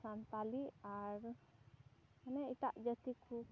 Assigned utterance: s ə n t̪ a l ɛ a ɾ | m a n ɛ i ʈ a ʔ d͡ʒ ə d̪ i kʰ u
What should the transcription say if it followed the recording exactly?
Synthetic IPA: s a n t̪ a l i a ɾ | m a n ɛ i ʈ a ʔ d͡ʒ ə t̪ i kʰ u